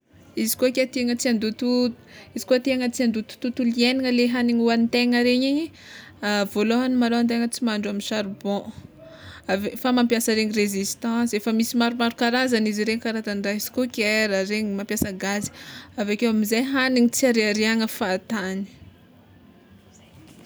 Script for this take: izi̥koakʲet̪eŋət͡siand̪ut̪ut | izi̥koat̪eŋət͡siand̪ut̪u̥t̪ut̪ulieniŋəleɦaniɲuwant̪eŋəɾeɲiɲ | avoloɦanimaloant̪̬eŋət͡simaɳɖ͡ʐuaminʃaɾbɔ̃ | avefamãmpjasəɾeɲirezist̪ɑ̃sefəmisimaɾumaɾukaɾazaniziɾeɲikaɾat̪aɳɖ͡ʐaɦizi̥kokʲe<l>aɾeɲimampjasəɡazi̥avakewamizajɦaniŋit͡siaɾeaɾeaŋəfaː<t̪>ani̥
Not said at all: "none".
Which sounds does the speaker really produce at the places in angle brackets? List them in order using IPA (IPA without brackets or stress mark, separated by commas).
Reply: ɾ, t̪